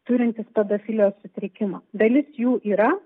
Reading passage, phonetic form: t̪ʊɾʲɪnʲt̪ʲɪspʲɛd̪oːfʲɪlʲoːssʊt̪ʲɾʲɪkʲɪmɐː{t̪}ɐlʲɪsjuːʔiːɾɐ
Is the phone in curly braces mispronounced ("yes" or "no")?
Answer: yes